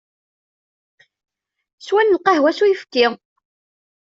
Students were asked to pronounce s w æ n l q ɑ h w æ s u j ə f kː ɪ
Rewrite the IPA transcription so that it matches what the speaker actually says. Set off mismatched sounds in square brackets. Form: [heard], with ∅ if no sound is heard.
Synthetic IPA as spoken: s w æ n l q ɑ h w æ s u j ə f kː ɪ